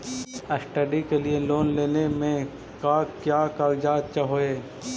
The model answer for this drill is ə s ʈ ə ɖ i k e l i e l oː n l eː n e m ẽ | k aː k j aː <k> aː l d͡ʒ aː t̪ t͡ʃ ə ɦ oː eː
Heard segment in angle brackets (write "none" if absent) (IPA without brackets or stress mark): k